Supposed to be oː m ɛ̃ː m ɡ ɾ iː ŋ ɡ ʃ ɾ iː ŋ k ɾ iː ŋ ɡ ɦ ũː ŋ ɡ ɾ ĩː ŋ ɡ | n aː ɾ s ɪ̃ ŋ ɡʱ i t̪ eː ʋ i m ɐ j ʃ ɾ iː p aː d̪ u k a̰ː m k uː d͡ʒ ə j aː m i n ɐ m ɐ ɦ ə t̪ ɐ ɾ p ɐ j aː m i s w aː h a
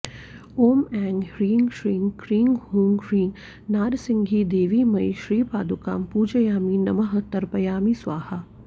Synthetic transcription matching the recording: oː m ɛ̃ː ŋ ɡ ɾ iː ŋ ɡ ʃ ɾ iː ŋ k ɾ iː ŋ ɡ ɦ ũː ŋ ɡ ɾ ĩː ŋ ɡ | n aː ɾ s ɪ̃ ŋ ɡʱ i d̪ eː ʋ i m ɐ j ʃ ɾ iː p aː d̪ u k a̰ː m p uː d͡ʒ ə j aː m i n ɐ m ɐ ɦ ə t̪ ɐ ɾ p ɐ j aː m i s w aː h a